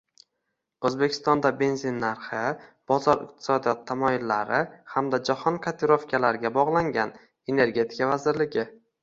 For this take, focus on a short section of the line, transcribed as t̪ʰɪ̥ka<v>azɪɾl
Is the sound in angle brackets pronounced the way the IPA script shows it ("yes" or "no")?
yes